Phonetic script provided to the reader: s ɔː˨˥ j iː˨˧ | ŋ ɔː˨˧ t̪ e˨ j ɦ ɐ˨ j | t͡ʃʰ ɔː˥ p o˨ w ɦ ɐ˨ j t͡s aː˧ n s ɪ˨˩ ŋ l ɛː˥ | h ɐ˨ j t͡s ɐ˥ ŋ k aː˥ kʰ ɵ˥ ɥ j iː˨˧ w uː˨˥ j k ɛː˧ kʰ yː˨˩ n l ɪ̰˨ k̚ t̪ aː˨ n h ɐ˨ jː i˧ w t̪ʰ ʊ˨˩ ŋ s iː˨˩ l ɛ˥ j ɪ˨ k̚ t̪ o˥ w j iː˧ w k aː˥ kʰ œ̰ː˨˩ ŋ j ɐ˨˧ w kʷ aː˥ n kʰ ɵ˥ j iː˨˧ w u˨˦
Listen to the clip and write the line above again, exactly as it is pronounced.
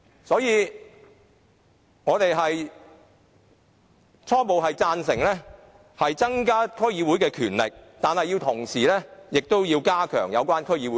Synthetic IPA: s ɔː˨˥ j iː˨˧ | ŋ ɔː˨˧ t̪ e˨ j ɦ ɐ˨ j | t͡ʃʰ ɔː˥ p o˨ w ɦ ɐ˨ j t͡s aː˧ n s ɪ˨˩ ŋ l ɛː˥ | h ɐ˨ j t͡s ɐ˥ ŋ k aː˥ kʰ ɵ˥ ɥ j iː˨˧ w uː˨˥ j k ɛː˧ kʰ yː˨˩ n l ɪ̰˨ k̚ t̪ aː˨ n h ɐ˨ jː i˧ w t̪ʰ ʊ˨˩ ŋ s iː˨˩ l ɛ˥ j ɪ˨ k̚ t̪ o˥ w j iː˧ w k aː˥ kʰ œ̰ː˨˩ ŋ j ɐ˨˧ w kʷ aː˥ n kʰ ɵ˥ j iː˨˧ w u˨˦